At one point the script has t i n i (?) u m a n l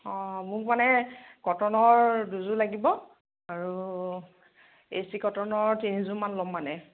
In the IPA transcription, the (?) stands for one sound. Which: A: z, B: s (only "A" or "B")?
A